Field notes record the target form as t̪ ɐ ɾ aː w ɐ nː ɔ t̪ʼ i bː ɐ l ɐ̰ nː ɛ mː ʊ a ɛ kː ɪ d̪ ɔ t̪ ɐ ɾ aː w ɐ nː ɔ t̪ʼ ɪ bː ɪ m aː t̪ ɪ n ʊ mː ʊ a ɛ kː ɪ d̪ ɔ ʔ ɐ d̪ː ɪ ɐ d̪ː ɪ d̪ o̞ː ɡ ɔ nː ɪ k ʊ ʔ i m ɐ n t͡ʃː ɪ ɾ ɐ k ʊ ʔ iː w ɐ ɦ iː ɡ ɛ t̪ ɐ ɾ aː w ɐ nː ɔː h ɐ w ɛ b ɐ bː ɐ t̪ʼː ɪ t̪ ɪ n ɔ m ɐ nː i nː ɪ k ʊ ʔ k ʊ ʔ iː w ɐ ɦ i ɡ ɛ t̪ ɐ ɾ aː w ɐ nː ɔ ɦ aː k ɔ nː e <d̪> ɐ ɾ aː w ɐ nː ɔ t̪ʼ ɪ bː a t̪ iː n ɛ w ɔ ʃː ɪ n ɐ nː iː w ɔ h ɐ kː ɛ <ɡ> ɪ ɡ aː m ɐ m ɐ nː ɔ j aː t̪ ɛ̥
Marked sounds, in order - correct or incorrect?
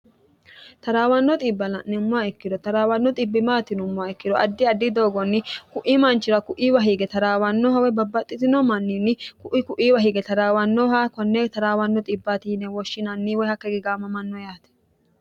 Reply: incorrect, correct

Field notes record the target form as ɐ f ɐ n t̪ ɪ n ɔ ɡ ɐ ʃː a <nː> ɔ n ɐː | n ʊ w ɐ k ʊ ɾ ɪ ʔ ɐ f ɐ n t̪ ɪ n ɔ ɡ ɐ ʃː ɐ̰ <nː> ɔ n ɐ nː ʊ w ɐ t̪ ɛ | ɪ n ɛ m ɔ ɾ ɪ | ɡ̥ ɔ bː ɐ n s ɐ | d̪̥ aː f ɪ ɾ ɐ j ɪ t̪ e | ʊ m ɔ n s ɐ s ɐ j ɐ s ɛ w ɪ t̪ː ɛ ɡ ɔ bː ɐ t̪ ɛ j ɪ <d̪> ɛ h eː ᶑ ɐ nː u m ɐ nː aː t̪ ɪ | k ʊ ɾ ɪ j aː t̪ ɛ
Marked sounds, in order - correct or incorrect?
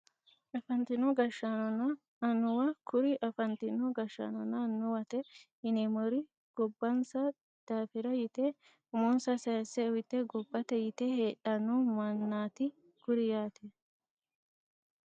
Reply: incorrect, incorrect, incorrect

